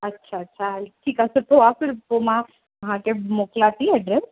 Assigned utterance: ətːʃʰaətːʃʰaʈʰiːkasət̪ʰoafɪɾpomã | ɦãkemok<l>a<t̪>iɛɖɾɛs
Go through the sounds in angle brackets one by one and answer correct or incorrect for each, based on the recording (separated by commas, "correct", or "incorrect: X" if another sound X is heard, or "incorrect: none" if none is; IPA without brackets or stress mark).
correct, correct